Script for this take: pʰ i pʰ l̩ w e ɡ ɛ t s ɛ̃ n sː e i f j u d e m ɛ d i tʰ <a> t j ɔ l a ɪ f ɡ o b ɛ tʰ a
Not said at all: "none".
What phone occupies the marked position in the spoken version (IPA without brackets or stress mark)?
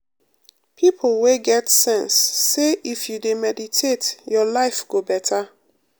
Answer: e